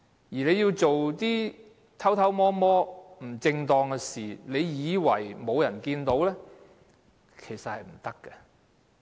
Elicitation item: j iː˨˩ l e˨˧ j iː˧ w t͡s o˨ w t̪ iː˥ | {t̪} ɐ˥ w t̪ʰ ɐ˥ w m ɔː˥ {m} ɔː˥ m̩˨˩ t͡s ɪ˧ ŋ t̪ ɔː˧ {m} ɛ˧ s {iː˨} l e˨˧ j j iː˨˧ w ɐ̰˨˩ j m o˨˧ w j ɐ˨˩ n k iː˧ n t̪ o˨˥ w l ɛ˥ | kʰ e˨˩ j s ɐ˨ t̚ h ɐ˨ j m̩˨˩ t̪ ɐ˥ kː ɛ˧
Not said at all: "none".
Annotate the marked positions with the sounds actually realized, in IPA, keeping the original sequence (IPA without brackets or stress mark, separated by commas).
t̪ʰ, m, ŋ, iː˨